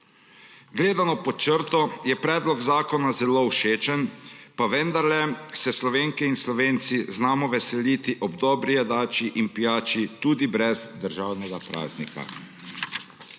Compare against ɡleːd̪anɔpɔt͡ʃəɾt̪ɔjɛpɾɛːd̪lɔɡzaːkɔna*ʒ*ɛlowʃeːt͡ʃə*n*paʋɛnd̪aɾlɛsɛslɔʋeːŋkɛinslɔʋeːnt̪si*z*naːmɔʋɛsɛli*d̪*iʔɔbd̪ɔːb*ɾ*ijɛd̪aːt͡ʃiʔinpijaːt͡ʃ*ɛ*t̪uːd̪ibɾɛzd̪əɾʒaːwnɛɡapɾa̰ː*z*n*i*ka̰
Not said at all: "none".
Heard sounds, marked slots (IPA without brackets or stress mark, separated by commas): z, n, z, t̪, ɾ, i, z, i